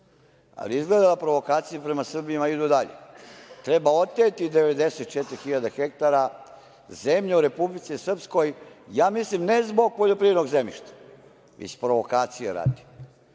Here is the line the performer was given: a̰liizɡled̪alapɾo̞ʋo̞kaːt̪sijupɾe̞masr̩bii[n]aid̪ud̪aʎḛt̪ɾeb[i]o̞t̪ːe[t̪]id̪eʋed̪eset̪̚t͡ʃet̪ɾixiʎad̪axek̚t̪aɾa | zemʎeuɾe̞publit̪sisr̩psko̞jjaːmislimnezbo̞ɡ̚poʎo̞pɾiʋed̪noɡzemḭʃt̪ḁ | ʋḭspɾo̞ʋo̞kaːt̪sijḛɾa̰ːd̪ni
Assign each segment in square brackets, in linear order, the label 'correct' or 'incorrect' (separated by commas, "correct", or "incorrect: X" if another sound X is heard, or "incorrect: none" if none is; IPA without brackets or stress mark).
incorrect: m, incorrect: a, correct